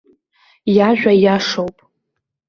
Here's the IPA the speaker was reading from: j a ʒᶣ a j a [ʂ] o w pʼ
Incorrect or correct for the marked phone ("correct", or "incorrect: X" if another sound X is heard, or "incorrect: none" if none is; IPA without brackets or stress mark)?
correct